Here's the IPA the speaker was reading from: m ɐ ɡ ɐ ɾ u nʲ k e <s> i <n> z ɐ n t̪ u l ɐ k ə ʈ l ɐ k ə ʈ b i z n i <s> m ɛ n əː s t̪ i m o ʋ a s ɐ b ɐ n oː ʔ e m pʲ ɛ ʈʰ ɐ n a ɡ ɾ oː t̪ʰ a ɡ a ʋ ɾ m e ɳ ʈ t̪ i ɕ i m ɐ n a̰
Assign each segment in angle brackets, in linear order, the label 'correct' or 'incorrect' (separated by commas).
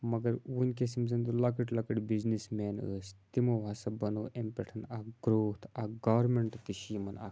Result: correct, incorrect, correct